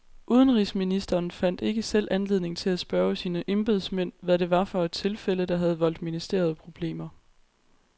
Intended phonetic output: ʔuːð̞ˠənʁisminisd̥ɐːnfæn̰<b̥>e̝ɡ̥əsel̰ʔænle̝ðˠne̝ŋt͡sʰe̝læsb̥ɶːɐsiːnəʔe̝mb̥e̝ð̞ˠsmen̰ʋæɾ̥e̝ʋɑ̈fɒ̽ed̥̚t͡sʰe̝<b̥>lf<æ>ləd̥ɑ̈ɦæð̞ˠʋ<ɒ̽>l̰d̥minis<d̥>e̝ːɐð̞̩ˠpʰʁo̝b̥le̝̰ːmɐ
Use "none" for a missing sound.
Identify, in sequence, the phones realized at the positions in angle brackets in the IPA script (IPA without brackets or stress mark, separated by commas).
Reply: d̥, none, e, ɒ̽, d̥